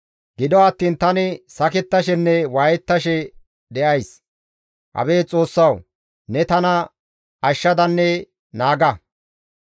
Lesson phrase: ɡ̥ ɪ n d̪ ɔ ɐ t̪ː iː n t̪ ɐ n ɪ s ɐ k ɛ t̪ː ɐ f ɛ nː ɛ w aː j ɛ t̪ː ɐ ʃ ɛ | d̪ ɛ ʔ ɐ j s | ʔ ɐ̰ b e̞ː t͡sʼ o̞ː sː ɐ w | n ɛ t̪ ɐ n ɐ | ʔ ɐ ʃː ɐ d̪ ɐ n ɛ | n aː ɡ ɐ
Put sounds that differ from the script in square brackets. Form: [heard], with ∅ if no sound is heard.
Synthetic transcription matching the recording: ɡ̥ ɪ [∅] d̪ ɔ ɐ t̪ː iː n t̪ ɐ n ɪ s ɐ k ɛ t̪ː ɐ [ʃ] ɛ nː ɛ w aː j ɛ t̪ː ɐ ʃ ɛ | d̪ ɛ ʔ ɐ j s | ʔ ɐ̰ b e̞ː t͡sʼ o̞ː sː ɐ w | n ɛ t̪ ɐ n ɐ | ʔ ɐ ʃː ɐ d̪ ɐ [nː] ɛ | n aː ɡ ɐ